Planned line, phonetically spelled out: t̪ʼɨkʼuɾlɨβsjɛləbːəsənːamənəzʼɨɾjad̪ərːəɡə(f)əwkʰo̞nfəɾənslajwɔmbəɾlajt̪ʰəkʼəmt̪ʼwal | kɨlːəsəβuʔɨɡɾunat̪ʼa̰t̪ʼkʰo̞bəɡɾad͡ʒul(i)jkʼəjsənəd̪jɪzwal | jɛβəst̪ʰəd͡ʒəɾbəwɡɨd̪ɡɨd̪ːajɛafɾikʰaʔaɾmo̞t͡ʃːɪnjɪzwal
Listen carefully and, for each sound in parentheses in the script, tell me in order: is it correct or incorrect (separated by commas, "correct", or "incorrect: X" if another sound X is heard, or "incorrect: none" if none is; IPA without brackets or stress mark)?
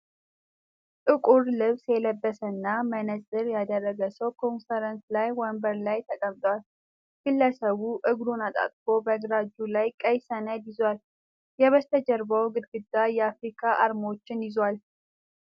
incorrect: s, incorrect: a